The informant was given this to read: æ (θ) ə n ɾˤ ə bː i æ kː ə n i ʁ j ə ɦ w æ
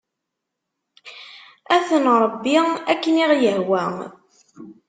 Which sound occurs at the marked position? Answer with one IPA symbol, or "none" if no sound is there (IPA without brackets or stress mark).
θ